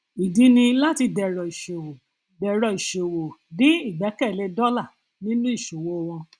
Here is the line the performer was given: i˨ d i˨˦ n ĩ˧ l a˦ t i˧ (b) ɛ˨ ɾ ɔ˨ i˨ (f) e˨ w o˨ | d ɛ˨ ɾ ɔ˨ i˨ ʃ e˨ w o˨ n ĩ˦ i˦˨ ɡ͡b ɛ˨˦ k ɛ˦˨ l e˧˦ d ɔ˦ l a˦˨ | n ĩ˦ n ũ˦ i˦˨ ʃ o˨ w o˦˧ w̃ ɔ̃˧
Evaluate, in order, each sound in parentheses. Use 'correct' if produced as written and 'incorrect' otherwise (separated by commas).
incorrect, incorrect